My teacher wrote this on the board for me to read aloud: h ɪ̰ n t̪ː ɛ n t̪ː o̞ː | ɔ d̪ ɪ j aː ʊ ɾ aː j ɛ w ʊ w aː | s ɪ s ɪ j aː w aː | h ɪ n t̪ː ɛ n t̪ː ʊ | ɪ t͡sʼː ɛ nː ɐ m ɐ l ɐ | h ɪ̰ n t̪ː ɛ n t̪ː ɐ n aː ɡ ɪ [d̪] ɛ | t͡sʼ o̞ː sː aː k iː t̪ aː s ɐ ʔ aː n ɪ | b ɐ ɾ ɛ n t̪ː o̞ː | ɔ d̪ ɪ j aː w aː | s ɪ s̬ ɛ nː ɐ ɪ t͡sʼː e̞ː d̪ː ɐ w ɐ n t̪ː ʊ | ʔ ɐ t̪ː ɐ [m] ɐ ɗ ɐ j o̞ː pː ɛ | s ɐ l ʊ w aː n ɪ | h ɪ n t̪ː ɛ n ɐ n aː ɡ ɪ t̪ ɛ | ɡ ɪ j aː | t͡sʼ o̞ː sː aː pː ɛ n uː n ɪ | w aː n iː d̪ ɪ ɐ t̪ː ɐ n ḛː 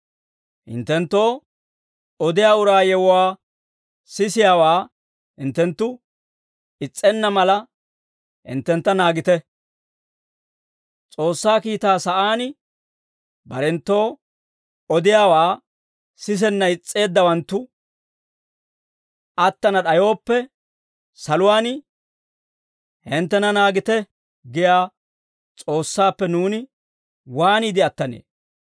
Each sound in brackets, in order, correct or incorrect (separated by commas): incorrect, incorrect